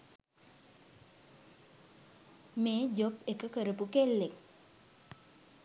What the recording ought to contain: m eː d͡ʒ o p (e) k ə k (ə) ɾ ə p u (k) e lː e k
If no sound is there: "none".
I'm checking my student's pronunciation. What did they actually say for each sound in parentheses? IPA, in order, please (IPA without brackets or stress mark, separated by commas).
e, ə, k